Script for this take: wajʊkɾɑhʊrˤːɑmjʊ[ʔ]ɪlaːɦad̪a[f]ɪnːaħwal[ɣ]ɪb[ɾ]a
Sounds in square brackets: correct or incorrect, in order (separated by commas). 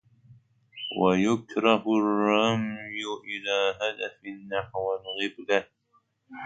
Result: correct, correct, correct, incorrect